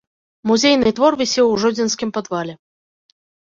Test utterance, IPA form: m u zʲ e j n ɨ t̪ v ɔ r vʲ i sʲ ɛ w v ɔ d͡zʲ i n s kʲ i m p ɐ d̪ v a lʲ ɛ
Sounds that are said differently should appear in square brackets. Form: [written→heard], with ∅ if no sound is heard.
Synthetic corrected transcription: m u zʲ e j n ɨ t̪ v ɔ r vʲ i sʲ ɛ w [v→ʐ] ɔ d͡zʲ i n s kʲ i m p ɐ d̪ v a lʲ ɛ